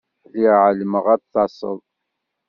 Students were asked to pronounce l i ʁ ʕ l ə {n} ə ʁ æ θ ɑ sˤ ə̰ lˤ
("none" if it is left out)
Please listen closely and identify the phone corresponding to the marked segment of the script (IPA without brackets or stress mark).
m